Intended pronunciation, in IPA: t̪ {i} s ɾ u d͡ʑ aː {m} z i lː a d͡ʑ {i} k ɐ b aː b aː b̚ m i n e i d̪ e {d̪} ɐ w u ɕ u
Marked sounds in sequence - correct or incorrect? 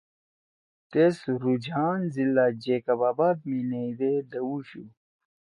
incorrect: e, incorrect: n, incorrect: e, correct

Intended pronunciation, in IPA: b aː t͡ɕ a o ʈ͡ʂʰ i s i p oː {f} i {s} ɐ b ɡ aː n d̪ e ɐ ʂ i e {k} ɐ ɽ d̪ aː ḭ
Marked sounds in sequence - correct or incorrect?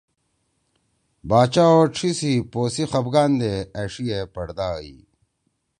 incorrect: s, incorrect: x, incorrect: p

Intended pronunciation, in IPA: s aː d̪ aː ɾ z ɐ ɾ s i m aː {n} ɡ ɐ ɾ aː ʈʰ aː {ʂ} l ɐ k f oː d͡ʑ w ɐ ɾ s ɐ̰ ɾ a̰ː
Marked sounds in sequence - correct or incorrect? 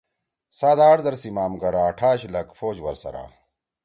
incorrect: m, incorrect: ɕ

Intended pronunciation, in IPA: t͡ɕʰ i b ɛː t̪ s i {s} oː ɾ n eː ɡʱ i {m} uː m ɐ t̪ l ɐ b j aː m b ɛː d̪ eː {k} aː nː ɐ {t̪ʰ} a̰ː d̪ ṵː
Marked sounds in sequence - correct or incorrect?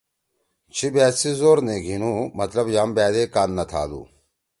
incorrect: z, incorrect: n, correct, correct

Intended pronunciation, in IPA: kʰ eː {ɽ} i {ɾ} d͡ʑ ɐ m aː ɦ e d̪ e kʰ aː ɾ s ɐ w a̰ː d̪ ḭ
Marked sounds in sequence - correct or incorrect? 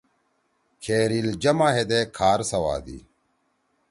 incorrect: ɾ, incorrect: l

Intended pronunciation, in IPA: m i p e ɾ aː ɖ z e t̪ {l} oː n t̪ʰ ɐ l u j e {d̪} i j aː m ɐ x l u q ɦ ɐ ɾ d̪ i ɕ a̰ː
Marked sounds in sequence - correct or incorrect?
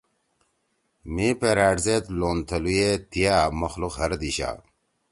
correct, incorrect: t̪

